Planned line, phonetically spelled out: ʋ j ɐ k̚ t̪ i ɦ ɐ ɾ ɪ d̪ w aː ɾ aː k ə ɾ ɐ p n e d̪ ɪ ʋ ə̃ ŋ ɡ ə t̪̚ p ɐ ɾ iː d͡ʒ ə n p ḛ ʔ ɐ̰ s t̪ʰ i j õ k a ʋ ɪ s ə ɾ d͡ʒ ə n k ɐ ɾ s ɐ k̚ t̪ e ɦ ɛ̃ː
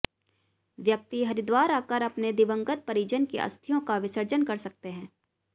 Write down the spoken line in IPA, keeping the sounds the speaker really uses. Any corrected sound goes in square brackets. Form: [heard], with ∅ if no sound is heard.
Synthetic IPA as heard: ʋ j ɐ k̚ t̪ i ɦ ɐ ɾ ɪ d̪ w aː ɾ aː k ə ɾ ɐ p n e d̪ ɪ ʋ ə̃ ŋ ɡ ə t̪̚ p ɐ ɾ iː d͡ʒ ə n [k] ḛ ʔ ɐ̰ s t̪ʰ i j õ k a ʋ ɪ s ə ɾ d͡ʒ ə n k ɐ ɾ s ɐ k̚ t̪ e ɦ ɛ̃ː